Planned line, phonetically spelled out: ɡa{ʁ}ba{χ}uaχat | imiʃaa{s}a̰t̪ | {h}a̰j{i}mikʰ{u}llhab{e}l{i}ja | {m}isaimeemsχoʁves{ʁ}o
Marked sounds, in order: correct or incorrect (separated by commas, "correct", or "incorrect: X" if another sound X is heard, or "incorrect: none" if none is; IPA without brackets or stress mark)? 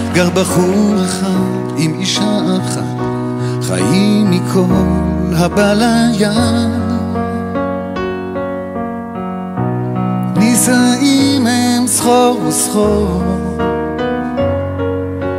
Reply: correct, correct, incorrect: χ, incorrect: χ, correct, incorrect: o, incorrect: a, incorrect: a, incorrect: n, incorrect: χ